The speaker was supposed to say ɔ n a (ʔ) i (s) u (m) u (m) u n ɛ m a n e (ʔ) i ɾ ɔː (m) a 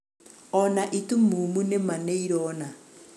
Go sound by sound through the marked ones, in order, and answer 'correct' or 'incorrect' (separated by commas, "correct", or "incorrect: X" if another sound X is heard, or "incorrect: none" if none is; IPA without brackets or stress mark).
correct, incorrect: t, correct, correct, incorrect: none, incorrect: n